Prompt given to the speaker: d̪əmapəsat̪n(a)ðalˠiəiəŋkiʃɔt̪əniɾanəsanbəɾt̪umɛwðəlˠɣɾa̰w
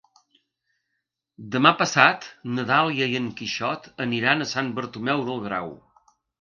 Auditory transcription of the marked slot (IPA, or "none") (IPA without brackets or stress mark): ə